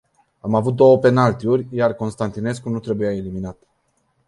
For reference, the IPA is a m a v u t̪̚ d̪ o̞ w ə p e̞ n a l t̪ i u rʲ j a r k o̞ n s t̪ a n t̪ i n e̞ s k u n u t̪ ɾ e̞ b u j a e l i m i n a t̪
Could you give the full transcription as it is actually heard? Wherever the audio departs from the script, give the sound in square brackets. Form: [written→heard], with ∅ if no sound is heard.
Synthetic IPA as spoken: a m a v u t̪̚ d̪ o̞ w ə p e̞ n a l t̪ i u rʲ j a r k o̞ n s t̪ a n t̪ i n e̞ s k u n u t̪ ɾ e̞ b u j a e l i m i n a t̪